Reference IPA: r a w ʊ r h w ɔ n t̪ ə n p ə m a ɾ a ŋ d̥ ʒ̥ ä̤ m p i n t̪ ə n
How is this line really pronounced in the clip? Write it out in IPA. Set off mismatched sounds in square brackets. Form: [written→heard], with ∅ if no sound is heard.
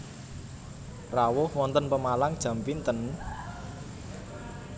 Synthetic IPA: r a w ʊ [r→∅] h w ɔ n t̪ ə n p ə m a [ɾ→l] a ŋ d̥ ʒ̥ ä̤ m p i n t̪ ə n